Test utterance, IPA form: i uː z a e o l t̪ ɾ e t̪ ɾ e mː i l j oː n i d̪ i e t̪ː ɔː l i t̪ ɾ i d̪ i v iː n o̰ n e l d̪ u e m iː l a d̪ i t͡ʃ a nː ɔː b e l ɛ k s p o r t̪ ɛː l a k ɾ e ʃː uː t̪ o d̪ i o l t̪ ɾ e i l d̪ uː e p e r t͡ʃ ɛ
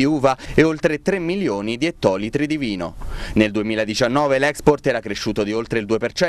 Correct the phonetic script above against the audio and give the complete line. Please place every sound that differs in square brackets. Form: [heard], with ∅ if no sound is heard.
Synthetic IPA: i uː [v] a e o l t̪ ɾ e t̪ ɾ e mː i l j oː n i d̪ i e t̪ː ɔː l i t̪ ɾ i d̪ i v iː n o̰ n e l d̪ u e m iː l a d̪ i t͡ʃ a nː ɔː [v] e l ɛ k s p o r t̪ ɛː [ɾ] a k ɾ e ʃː uː t̪ o d̪ i o l t̪ ɾ e i l d̪ uː e p e r t͡ʃ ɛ